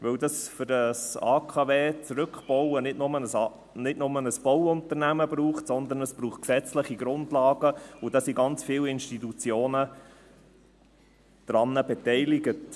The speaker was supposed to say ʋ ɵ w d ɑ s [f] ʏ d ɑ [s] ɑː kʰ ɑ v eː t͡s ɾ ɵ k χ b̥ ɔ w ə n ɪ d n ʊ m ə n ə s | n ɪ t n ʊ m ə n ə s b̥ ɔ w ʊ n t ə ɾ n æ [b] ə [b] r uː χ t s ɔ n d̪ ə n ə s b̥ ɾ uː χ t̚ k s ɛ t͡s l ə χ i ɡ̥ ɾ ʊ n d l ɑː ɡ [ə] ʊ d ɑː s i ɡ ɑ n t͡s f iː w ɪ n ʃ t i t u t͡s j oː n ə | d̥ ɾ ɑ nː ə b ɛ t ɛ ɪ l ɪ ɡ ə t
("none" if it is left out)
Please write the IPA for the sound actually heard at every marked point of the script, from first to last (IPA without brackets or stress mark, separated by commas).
f, s, m, b, ə